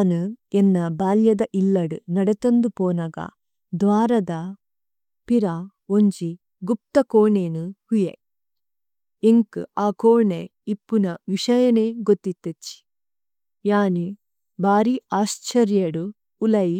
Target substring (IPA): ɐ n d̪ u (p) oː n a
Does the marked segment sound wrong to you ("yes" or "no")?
no